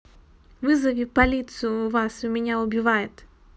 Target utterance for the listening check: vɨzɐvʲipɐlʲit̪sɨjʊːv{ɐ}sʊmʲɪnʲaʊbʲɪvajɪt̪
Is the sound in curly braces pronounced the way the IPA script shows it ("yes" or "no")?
no